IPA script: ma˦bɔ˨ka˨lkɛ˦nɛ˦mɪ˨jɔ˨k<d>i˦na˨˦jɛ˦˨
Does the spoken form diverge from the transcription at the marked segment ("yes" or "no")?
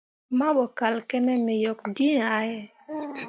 no